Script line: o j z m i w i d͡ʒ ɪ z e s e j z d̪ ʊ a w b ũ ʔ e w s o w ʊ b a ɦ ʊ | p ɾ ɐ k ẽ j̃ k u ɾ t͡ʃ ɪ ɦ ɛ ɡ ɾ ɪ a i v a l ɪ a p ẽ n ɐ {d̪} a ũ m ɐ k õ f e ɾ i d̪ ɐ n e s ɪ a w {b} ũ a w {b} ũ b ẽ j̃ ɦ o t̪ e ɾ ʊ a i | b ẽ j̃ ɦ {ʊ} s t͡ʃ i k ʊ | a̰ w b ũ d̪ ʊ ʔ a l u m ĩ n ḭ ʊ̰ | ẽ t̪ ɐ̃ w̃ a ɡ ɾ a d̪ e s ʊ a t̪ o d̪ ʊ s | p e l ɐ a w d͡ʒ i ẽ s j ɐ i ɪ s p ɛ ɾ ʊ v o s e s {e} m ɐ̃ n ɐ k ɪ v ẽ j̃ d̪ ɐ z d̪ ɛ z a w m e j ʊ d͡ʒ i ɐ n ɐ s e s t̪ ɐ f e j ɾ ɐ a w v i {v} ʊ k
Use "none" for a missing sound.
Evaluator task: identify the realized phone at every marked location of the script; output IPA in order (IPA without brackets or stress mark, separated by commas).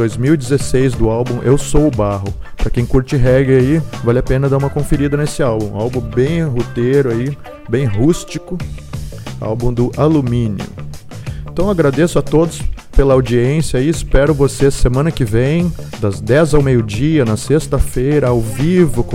d̪, b, b, u, e, v